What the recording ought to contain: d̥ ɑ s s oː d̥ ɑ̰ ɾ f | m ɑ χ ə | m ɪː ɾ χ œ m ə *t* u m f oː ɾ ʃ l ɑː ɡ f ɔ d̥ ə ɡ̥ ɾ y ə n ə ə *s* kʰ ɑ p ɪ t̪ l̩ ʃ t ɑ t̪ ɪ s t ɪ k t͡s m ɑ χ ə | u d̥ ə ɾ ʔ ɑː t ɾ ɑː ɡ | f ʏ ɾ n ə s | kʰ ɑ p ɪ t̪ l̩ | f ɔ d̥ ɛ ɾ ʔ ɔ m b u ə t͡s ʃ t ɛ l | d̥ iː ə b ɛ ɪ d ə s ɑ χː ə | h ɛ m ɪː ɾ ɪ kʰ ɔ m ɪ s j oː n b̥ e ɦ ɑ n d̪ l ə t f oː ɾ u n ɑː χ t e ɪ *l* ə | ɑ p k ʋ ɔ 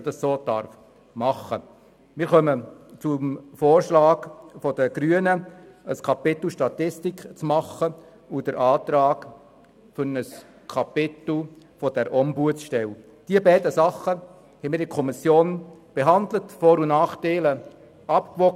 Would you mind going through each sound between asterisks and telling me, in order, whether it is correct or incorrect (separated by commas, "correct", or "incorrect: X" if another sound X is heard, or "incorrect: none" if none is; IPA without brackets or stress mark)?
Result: incorrect: t͡s, correct, correct